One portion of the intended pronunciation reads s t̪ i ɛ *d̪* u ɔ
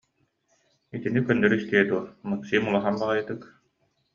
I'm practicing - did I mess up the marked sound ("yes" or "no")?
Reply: no